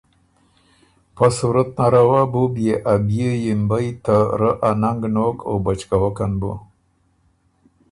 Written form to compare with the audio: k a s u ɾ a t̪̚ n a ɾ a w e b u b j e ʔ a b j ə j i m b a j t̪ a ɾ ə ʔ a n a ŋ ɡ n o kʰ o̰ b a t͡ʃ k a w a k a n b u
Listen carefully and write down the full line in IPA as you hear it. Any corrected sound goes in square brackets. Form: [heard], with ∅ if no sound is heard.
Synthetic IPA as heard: [p] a s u ɾ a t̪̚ n a ɾ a w [a] b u b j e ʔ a b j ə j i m b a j t̪ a ɾ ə ʔ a n a ŋ ɡ n o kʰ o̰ b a t͡ʃ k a w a k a n b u